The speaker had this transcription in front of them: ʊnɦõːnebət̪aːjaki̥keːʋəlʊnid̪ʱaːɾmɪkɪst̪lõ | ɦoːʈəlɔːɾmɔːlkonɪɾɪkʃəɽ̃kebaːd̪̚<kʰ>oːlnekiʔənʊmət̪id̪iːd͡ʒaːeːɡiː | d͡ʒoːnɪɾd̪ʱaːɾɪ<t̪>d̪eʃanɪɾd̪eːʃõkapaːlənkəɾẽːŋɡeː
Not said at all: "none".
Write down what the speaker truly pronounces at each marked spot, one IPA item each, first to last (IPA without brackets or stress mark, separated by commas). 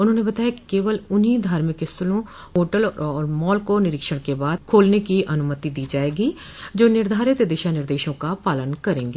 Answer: kʰ, t̪